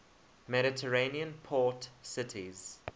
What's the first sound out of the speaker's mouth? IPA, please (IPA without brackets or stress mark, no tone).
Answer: m